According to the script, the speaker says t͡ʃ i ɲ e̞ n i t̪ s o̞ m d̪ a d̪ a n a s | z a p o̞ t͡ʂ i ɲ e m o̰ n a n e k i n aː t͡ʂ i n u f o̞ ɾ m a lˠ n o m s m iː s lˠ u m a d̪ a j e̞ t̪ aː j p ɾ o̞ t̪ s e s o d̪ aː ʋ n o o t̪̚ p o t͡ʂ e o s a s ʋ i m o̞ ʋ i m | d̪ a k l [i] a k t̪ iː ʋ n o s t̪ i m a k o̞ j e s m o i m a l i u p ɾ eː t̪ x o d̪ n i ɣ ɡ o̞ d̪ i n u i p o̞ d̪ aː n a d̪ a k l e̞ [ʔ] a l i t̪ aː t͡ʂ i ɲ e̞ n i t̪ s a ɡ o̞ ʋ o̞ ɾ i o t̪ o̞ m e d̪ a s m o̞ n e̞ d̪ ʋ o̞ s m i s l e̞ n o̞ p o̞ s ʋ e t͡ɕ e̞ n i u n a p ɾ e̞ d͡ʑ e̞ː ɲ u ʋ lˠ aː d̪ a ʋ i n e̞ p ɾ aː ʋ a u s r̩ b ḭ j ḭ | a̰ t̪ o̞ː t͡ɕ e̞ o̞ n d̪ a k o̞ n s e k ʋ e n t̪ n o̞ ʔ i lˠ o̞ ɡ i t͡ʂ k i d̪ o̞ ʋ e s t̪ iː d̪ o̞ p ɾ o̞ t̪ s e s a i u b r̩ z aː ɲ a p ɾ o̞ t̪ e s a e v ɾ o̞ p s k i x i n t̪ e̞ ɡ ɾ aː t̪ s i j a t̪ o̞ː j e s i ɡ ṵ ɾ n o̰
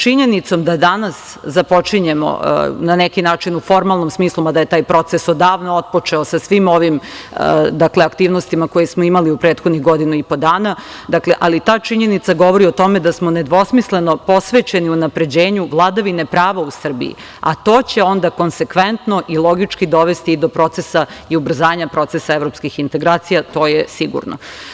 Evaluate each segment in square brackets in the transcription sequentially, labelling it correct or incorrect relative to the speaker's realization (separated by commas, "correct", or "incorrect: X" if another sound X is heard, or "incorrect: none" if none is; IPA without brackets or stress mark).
incorrect: e, correct